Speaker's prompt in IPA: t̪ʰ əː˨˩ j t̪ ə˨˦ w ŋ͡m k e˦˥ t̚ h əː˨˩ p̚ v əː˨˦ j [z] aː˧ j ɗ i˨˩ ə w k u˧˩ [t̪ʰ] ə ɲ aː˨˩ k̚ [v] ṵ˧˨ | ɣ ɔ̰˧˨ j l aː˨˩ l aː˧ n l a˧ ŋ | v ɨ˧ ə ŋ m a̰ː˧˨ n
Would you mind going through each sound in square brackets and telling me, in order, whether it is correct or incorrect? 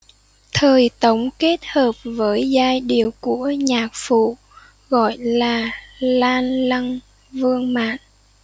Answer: correct, incorrect, incorrect

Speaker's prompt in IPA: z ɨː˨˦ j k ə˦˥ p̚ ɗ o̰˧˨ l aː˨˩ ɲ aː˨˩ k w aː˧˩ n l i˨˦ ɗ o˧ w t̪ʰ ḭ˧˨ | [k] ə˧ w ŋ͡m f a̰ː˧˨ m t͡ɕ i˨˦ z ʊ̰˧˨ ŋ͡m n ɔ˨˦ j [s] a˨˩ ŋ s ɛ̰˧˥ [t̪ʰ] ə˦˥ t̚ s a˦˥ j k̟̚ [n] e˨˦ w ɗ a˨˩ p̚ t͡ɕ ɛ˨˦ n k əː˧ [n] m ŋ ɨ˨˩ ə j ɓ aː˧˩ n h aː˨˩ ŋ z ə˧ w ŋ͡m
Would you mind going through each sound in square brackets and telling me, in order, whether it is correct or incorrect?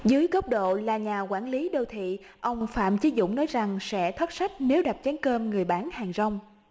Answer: incorrect, incorrect, correct, correct, incorrect

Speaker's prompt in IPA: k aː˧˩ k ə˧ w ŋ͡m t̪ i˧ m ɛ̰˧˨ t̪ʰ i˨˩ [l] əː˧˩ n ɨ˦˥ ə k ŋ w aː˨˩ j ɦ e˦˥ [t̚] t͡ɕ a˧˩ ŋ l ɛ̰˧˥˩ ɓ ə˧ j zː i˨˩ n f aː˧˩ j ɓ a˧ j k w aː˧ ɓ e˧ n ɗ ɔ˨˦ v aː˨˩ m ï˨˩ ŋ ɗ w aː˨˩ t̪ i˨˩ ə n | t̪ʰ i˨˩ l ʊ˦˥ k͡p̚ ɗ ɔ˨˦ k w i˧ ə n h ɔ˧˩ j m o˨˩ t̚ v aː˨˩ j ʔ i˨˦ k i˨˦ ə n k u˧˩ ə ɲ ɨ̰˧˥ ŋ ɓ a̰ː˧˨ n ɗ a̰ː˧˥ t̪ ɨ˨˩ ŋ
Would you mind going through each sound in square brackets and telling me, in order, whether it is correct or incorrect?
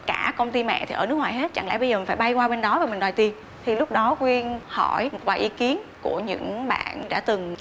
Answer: incorrect, correct

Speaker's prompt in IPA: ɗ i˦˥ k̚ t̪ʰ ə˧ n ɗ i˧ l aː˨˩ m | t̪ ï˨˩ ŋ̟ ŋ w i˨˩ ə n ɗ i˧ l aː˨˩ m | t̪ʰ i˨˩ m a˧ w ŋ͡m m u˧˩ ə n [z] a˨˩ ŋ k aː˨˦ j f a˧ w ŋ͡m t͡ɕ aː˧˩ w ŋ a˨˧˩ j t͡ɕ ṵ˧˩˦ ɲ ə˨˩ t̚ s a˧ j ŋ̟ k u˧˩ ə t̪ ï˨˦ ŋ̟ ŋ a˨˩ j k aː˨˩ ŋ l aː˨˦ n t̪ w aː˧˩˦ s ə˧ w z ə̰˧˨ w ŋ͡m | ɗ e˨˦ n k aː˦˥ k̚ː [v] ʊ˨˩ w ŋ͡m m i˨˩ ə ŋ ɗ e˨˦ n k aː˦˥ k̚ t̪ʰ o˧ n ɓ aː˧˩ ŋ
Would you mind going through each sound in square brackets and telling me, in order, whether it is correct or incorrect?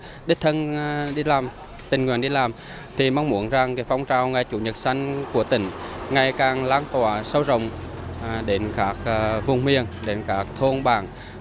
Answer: correct, correct

